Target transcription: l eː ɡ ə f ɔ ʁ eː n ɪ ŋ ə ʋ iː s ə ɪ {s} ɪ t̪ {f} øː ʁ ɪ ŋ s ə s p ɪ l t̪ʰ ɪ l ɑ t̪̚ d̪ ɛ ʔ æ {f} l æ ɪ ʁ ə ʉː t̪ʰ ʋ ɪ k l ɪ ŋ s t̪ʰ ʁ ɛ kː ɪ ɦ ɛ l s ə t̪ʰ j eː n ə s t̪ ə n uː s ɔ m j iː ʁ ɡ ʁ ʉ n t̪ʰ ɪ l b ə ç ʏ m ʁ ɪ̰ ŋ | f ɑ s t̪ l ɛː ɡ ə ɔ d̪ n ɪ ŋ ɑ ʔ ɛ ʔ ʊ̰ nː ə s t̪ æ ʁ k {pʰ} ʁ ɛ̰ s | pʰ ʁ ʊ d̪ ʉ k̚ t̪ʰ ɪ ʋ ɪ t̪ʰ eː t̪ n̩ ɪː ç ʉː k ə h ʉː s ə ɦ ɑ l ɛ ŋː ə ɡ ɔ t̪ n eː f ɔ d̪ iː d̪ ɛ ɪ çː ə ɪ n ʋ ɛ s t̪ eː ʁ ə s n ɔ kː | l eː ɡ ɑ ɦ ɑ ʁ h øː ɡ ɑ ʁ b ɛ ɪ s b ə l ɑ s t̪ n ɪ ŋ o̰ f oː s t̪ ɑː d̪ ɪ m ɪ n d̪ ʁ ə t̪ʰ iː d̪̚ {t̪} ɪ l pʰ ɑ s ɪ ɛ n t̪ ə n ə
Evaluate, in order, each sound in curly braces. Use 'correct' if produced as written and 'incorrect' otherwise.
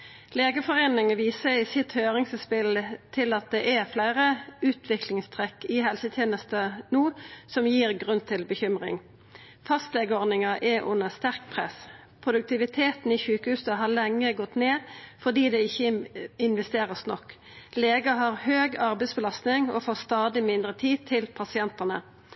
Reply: correct, incorrect, correct, correct, incorrect

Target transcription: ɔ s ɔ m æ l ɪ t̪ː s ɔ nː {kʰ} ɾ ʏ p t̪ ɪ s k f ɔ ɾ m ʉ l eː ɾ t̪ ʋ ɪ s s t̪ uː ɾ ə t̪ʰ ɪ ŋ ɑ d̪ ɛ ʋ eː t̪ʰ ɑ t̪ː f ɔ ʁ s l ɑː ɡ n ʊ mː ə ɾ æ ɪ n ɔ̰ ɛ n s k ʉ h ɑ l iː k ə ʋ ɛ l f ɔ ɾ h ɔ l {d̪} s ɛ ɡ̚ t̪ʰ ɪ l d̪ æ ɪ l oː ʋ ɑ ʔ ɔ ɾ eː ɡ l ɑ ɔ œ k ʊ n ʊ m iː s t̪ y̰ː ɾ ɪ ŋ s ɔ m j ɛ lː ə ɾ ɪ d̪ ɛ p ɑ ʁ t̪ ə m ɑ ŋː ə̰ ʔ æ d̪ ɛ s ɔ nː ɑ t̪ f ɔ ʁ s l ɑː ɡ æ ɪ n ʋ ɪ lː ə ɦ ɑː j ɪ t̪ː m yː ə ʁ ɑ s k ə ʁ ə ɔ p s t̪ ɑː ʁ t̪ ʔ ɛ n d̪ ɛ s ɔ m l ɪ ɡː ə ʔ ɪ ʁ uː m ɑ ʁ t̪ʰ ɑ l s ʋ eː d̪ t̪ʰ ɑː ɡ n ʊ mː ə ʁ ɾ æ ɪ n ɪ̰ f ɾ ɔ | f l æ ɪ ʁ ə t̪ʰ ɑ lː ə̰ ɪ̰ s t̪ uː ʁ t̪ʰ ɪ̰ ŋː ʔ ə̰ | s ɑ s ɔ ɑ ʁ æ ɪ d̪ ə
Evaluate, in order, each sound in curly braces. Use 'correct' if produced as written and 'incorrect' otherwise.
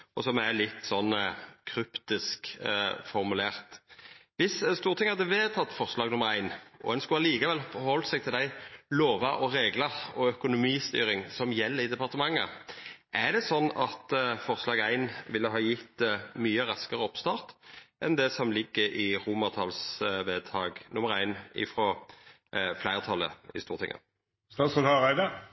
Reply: correct, incorrect

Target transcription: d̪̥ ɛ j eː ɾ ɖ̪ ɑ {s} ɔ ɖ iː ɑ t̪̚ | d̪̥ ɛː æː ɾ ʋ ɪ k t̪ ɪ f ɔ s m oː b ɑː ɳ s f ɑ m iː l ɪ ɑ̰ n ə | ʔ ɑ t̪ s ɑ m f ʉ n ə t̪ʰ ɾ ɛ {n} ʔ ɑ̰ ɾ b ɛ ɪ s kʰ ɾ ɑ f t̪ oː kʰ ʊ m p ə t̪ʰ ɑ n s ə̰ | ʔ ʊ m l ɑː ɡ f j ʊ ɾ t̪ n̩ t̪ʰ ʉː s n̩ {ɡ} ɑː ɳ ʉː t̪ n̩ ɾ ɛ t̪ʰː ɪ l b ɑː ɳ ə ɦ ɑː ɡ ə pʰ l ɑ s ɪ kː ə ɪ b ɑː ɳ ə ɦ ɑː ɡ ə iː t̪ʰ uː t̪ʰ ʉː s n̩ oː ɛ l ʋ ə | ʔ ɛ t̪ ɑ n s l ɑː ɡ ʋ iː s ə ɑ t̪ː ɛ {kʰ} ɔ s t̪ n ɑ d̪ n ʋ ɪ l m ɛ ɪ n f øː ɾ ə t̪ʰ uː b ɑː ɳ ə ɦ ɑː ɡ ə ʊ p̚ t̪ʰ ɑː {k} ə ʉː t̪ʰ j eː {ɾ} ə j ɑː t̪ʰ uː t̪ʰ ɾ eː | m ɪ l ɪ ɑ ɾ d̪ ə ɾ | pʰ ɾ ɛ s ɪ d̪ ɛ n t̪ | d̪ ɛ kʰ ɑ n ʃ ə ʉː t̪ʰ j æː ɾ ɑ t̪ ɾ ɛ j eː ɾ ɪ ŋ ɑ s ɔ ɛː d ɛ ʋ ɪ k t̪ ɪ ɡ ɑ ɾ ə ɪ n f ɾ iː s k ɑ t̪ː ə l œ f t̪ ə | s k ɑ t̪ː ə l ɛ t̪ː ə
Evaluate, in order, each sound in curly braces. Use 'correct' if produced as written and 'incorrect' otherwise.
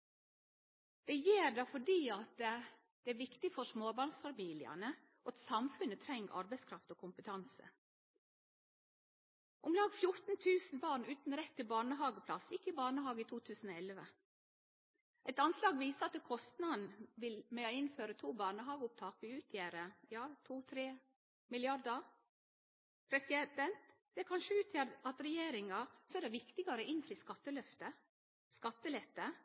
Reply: incorrect, incorrect, incorrect, correct, correct, correct

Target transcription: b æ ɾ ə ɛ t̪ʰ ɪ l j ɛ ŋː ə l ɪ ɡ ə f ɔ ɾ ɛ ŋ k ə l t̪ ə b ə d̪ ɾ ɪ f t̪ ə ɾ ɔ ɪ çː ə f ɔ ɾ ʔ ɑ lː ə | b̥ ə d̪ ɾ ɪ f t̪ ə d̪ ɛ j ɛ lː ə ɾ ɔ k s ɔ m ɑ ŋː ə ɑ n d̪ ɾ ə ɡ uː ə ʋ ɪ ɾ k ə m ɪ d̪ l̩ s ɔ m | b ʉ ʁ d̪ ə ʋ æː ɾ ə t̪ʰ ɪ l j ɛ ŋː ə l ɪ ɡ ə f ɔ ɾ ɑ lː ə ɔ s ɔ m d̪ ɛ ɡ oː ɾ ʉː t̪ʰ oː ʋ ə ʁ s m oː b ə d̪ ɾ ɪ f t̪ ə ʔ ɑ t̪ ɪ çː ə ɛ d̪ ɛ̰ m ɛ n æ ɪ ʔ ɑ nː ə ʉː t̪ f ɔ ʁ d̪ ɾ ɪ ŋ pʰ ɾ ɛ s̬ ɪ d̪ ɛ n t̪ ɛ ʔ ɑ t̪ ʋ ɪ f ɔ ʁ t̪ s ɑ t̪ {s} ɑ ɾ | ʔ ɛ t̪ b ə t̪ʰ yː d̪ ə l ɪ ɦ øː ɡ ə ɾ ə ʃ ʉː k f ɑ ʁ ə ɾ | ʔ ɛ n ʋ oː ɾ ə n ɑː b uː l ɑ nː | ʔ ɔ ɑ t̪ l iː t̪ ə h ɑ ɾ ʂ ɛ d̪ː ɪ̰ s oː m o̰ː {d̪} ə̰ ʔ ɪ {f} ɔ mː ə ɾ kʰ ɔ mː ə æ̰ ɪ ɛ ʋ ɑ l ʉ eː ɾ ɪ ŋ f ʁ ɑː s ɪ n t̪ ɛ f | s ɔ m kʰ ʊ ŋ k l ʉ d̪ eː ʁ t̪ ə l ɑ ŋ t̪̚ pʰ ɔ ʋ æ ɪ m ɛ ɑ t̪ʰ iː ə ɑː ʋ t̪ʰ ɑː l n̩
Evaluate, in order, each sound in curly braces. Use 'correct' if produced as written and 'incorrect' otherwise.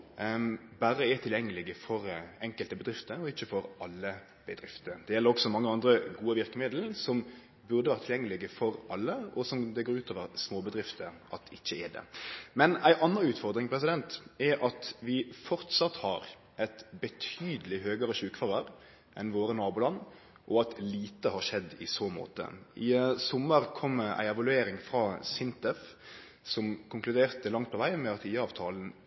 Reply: incorrect, incorrect, incorrect

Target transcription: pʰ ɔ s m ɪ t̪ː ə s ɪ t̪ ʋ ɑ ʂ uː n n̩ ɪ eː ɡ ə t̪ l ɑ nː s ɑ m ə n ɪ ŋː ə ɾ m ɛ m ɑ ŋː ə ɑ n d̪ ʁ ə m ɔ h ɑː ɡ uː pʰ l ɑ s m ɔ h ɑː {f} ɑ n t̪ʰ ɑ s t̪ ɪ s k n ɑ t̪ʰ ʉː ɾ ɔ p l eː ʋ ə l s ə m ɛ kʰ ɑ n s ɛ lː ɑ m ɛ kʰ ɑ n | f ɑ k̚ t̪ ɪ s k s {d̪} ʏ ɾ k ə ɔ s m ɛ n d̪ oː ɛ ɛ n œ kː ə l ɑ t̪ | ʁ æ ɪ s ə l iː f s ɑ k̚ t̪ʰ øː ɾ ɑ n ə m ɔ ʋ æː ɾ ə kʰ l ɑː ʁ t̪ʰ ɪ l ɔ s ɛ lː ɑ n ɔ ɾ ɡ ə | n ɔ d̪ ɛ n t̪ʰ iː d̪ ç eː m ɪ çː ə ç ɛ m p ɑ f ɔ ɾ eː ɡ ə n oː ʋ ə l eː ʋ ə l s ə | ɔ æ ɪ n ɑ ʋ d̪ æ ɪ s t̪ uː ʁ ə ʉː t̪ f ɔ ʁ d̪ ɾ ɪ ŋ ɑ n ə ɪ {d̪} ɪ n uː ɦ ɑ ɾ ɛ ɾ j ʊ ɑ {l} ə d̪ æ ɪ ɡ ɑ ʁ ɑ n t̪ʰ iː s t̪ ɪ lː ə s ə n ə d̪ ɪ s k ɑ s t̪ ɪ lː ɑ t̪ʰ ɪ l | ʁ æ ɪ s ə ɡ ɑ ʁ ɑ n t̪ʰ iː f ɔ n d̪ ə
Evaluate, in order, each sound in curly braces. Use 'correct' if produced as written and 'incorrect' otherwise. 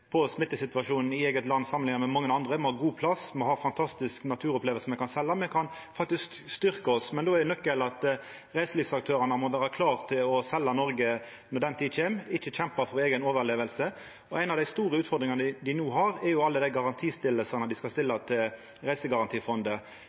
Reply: correct, incorrect, correct, incorrect

